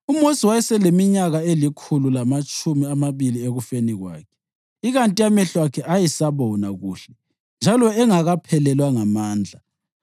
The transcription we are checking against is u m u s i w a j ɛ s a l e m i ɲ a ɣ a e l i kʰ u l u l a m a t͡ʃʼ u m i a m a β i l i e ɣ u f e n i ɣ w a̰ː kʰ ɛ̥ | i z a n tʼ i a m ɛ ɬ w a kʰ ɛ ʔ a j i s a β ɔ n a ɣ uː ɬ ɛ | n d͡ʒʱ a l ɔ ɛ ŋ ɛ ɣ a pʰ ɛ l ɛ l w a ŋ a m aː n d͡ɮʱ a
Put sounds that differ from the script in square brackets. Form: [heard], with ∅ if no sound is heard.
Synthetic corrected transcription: u m [o] s i w a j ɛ s [ɛ] l e m i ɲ a ɣ a e l i kʰ u l u l a m a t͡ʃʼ u m i a m a β i l i e ɣ u f e n i ɣ w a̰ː kʰ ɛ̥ | i [ɣ] a n tʼ i a m ɛ ɬ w a kʰ ɛ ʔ a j i s a β ɔ n a ɣ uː ɬ ɛ | n d͡ʒʱ a l ɔ ɛ ŋ [a] ɣ a pʰ ɛ l ɛ l w a ŋ a m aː n d͡ɮʱ a